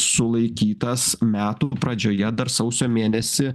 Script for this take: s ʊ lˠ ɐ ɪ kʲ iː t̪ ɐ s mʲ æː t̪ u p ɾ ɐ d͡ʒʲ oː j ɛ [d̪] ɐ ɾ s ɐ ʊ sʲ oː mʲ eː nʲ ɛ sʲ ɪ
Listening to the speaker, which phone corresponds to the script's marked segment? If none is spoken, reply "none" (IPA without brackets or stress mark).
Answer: d̪